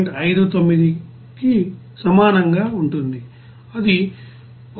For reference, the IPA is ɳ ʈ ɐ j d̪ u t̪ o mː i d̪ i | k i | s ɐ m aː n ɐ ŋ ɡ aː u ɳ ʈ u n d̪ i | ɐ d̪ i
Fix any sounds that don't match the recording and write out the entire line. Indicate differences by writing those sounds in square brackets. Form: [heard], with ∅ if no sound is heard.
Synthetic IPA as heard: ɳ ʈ ɐ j d̪ u t̪ o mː i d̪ i | k i | s ɐ m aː n ɐ ŋ ɡ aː u ɳ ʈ u n d̪ i | ɐ d̪ i